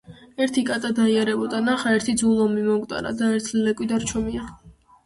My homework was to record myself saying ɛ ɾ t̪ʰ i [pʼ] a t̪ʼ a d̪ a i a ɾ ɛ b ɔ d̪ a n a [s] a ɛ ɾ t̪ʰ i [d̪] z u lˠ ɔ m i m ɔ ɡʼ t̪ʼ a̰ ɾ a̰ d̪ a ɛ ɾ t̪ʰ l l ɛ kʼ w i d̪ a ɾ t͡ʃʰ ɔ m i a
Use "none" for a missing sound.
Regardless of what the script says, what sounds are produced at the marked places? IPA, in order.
kʼ, χ, d̪

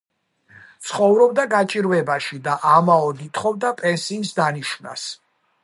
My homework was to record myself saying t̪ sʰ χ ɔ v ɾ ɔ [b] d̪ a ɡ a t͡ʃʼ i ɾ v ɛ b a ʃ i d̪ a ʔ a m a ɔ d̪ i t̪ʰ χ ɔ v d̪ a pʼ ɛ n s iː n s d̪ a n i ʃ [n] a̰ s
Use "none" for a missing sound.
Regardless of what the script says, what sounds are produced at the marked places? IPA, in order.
b, n

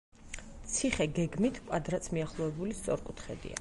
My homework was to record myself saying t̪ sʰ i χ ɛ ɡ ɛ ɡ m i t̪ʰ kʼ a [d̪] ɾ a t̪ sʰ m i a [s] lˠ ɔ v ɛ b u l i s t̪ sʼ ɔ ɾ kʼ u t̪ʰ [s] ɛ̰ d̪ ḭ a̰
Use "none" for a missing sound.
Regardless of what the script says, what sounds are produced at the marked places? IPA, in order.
d̪, χ, χ

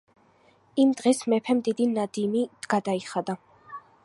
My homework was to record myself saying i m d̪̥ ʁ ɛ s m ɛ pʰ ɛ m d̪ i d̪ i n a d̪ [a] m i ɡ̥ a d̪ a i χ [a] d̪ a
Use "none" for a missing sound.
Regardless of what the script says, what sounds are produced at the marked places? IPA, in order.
i, a

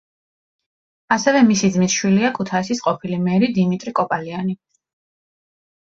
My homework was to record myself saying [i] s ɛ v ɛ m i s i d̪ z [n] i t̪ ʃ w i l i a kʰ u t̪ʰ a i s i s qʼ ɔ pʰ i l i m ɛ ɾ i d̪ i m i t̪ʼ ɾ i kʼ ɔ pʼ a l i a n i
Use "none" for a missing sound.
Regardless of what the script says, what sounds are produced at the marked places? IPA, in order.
a, m

